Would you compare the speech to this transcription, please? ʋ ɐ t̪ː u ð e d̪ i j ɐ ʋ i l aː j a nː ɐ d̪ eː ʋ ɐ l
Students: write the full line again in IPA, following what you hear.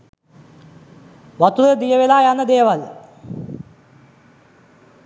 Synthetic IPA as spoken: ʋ ɐ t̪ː u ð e d̪ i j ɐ ʋ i l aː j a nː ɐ d̪ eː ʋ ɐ l

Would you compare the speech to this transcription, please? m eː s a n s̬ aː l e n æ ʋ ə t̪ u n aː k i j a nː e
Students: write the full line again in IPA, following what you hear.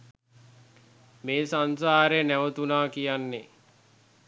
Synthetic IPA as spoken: m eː s a n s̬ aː ɾ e n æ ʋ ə t̪ u n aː k i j a nː e

